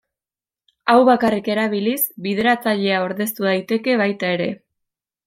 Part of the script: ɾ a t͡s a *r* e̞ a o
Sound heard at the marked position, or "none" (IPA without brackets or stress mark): ʎ